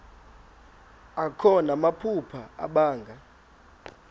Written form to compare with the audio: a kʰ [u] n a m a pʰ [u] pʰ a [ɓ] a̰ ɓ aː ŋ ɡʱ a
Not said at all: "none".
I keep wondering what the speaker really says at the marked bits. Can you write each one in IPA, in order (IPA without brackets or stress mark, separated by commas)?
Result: ɔ, u, none